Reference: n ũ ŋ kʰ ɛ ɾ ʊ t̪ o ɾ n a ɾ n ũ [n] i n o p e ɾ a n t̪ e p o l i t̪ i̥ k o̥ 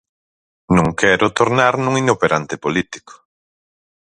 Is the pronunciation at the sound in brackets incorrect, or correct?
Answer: incorrect